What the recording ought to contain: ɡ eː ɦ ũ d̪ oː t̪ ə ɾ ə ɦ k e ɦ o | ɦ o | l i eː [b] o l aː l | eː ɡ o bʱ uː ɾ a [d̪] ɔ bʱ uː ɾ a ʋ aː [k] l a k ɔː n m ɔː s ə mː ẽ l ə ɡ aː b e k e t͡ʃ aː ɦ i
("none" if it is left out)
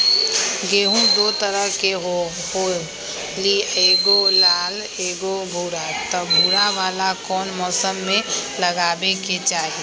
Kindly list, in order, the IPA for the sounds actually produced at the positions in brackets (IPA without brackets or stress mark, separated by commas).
ɡ, t̪, none